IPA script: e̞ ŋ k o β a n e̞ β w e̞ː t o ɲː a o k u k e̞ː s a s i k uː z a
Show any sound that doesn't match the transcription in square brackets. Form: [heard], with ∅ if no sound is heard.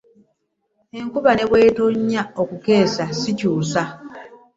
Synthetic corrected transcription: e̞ ŋ k [u] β a n e̞ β w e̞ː t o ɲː a o k u k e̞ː s a s i [c] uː [s] a